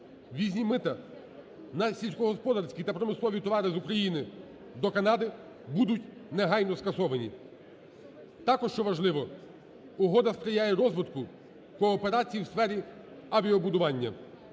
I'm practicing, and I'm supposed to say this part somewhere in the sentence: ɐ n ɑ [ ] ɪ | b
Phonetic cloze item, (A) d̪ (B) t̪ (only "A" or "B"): A